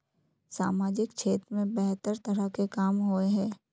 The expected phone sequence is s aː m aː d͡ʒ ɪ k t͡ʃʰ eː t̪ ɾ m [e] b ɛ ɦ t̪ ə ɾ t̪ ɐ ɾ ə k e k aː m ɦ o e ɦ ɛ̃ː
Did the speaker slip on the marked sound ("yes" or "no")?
yes